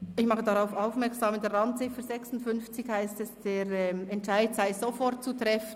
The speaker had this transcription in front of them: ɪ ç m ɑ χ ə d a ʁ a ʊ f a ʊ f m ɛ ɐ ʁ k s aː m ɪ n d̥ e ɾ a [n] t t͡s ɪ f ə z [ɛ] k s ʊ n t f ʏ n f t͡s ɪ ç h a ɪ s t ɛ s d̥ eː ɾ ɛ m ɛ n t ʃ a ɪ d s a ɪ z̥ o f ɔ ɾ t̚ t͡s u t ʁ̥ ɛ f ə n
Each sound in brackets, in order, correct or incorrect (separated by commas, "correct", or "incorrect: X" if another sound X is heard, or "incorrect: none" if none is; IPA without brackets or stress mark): correct, correct